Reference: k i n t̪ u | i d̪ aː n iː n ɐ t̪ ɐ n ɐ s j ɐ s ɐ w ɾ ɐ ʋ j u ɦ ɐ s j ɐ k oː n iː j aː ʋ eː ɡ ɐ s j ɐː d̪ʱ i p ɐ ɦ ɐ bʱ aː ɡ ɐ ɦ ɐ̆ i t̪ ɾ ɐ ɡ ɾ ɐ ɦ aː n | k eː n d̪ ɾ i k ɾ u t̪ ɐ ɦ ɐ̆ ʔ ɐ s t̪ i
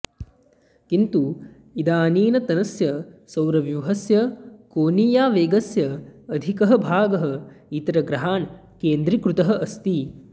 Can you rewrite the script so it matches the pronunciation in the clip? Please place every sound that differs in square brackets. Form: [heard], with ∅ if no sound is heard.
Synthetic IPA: k i n t̪ u | i d̪ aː n iː n ɐ t̪ ɐ n ɐ s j ɐ s ɐ w ɾ ɐ ʋ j u ɦ ɐ s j ɐ k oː n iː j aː ʋ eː ɡ ɐ s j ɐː d̪ʱ i [k] ɐ ɦ ɐ bʱ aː ɡ ɐ ɦ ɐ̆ i t̪ ɾ ɐ ɡ ɾ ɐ ɦ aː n | k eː n d̪ ɾ i k ɾ u t̪ ɐ ɦ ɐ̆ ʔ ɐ s t̪ i

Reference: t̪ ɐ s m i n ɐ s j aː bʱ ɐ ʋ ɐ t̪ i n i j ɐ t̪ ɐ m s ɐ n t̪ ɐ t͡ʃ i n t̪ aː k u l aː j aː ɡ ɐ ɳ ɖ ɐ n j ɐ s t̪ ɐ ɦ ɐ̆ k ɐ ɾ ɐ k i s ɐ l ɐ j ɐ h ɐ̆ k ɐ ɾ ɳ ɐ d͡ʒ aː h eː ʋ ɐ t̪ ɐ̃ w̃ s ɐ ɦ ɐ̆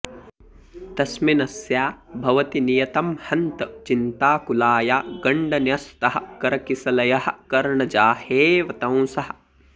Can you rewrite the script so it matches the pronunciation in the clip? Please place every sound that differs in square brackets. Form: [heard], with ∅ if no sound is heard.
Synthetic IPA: t̪ ɐ s m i n ɐ s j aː bʱ ɐ ʋ ɐ t̪ i n i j ɐ t̪ ɐ m [h] ɐ n t̪ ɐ t͡ʃ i n t̪ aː k u l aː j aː ɡ ɐ ɳ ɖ ɐ n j ɐ s t̪ ɐ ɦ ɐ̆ k ɐ ɾ ɐ k i s ɐ l ɐ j ɐ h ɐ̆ k ɐ ɾ ɳ ɐ d͡ʒ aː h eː ʋ ɐ t̪ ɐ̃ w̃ s ɐ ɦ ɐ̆

